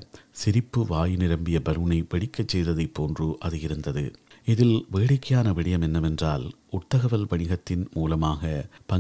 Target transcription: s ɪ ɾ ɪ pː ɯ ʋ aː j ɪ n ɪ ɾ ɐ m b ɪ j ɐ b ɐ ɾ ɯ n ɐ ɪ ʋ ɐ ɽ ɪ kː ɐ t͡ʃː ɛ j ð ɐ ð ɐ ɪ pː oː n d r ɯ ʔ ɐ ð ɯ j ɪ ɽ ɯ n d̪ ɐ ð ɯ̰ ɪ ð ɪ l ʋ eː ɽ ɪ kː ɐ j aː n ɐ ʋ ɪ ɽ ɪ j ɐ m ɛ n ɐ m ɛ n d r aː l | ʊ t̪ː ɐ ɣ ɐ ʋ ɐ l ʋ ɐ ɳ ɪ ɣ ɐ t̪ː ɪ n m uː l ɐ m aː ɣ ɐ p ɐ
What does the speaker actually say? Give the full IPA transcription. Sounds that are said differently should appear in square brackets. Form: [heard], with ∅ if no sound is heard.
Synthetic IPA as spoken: s ɪ ɾ ɪ pː ɯ ʋ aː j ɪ n ɪ ɾ ɐ m b ɪ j ɐ b ɐ ɾ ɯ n ɐ ɪ ʋ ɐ ɽ ɪ kː ɐ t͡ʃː ɛ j ð ɐ ð ɐ ɪ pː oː n d r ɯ ʔ ɐ ð ɯ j ɪ [ɾ] ɯ n d̪ ɐ ð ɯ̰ ɪ ð ɪ l ʋ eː ɽ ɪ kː ɐ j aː n ɐ ʋ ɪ ɽ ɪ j ɐ m ɛ [nː] ɐ m ɛ n d r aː l | ʊ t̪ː ɐ ɣ ɐ ʋ ɐ l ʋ ɐ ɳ ɪ ɣ ɐ t̪ː ɪ n m uː l ɐ m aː ɣ ɐ p ɐ